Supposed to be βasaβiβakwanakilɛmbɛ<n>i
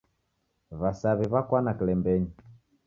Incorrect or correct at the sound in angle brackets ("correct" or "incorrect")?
incorrect